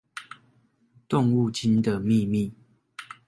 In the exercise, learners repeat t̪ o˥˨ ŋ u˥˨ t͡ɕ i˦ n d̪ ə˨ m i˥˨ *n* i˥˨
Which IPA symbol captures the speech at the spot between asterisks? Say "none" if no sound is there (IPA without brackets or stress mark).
m